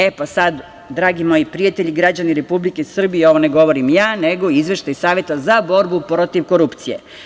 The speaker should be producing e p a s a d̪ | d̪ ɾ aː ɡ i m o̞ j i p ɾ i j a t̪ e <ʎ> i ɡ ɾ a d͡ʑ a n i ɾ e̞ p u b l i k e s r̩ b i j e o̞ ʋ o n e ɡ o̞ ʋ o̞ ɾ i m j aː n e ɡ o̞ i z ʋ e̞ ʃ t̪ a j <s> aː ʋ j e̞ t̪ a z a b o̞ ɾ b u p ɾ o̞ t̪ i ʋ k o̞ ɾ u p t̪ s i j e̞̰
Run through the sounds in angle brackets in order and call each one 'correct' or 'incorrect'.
correct, correct

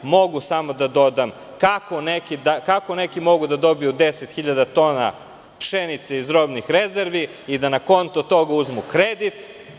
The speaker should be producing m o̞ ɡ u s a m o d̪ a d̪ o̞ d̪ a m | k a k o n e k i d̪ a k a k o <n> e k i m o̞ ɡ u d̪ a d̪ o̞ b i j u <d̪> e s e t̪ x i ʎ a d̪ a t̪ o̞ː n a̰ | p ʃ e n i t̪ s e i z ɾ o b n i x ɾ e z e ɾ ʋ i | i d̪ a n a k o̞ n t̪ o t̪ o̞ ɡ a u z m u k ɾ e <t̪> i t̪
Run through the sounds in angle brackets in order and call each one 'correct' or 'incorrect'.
correct, correct, incorrect

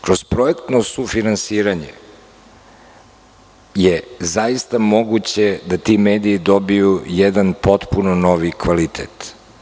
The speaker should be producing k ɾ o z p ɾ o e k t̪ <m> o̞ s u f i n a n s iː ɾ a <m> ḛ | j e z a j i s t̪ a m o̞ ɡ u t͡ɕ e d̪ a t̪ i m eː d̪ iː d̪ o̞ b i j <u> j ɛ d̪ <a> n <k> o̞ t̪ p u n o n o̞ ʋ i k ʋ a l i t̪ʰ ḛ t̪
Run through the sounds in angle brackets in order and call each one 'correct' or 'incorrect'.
incorrect, incorrect, correct, correct, incorrect

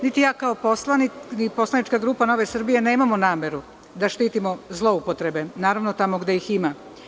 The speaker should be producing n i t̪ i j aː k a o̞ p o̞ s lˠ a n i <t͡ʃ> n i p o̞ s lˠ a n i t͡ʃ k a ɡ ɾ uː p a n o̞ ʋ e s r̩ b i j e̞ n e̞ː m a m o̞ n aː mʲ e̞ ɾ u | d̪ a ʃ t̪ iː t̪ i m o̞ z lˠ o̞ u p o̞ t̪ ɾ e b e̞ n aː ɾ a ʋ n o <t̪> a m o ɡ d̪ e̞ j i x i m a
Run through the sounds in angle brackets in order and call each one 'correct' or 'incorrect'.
incorrect, correct

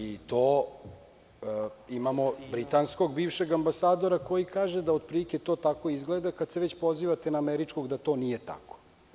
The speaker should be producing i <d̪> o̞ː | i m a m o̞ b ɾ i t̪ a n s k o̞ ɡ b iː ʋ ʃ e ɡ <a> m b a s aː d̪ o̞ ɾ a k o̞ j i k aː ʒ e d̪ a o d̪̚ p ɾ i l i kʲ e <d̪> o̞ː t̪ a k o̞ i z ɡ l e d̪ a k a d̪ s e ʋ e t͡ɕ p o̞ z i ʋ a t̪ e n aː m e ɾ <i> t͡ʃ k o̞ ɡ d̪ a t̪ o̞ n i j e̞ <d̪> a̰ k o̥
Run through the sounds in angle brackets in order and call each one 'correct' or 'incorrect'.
incorrect, correct, incorrect, correct, incorrect

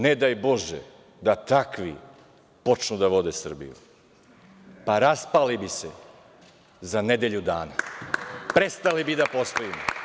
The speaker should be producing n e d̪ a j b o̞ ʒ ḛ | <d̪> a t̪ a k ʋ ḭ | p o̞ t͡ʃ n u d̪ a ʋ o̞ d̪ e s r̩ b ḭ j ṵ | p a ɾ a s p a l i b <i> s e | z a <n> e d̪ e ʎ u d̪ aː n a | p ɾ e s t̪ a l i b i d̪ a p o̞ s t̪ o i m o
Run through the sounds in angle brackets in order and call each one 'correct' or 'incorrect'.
correct, correct, correct

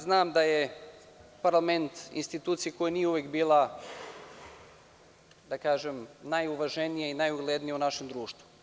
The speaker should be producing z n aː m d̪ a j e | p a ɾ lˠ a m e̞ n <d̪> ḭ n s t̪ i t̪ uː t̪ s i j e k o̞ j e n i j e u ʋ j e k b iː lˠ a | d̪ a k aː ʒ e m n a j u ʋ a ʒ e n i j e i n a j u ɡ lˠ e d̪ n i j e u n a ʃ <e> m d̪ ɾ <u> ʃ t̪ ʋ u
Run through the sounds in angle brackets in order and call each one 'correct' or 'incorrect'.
incorrect, correct, incorrect

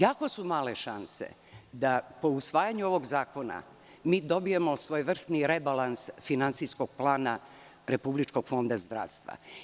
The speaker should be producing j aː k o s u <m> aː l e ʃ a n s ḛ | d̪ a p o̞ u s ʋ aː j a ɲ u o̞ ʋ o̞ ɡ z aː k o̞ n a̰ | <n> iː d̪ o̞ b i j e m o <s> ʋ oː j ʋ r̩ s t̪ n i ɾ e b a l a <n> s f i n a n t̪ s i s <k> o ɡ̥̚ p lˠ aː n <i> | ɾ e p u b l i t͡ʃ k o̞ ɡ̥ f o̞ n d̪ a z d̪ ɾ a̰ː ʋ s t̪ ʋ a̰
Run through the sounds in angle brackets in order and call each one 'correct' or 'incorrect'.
correct, incorrect, correct, correct, correct, incorrect

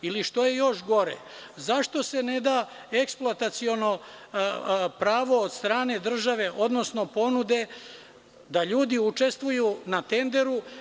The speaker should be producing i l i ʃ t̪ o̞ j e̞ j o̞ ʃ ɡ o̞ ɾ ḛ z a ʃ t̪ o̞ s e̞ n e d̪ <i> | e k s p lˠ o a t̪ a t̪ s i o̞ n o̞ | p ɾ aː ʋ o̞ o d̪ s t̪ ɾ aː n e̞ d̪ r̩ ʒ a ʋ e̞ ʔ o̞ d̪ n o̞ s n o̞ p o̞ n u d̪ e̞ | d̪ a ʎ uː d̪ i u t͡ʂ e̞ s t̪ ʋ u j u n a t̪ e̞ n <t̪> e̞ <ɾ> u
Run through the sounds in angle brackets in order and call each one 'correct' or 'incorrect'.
incorrect, incorrect, correct

